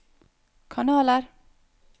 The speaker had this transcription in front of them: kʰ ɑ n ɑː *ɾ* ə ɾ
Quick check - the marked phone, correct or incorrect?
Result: incorrect